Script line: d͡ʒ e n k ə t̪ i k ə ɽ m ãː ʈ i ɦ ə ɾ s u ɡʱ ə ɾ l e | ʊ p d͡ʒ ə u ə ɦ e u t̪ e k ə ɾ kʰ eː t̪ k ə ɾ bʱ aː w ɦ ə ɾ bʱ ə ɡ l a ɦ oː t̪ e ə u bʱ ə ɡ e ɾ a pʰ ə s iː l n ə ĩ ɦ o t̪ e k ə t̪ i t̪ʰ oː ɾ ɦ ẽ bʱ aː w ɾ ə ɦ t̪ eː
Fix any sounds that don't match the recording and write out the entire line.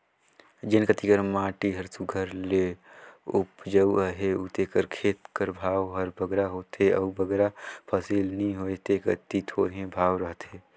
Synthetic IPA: d͡ʒ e n k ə t̪ i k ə ɾ m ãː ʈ i ɦ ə ɾ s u ɡʱ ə ɾ l e | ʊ p d͡ʒ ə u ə ɦ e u t̪ e k ə ɾ kʰ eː t̪ k ə ɾ bʱ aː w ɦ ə ɾ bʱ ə ɡ ɾ a ɦ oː t̪ e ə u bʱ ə ɡ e ɾ a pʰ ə s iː l n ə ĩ ɦ o t̪ e k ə t̪ i t̪ʰ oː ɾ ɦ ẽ bʱ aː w ɾ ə ɦ t̪ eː